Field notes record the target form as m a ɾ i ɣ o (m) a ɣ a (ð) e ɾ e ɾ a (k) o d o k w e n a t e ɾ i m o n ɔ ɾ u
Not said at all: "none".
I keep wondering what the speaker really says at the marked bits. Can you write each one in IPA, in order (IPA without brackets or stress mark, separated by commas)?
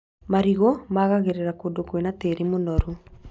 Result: m, ɣ, k